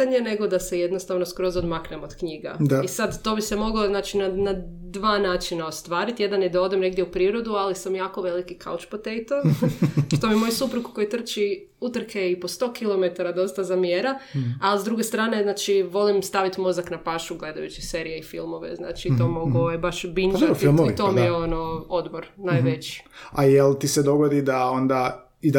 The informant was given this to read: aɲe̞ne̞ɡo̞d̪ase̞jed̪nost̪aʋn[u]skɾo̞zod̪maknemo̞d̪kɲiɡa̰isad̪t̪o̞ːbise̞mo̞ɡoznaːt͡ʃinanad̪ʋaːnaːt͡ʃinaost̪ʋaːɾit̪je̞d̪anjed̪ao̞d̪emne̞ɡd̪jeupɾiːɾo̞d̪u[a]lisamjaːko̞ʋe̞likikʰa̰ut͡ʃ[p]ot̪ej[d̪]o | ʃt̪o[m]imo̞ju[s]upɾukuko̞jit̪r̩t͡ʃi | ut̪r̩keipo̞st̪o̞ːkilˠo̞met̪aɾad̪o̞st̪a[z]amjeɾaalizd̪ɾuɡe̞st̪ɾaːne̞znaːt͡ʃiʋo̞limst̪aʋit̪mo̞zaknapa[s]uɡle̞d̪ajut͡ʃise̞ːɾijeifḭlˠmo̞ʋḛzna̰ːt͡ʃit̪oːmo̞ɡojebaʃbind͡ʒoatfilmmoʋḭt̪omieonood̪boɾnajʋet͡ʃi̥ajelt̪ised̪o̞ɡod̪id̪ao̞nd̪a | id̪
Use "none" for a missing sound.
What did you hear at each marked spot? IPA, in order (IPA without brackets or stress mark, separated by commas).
o, a, p, t̪, m, s, z, ʃ